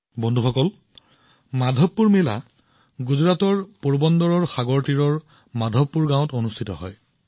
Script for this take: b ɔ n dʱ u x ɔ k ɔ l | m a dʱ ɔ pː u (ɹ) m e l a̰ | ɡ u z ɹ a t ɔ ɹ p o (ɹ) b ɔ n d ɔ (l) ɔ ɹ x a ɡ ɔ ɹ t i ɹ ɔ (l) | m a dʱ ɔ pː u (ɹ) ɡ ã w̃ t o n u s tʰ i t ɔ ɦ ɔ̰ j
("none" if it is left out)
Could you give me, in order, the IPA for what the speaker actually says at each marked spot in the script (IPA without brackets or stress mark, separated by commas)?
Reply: ɹ, ɹ, ɹ, ɹ, ɹ